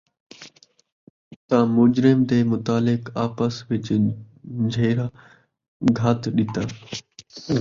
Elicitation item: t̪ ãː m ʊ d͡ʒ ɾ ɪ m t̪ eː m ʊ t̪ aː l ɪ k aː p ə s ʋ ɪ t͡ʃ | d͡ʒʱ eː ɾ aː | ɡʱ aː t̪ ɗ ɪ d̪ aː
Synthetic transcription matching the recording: t̪ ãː m ʊ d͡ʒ ɾ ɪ m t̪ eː m ʊ t̪ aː l ɪ k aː p ə s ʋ ɪ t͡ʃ | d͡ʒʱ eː ɾ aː | ɡʱ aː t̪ ɗ ɪ t̪ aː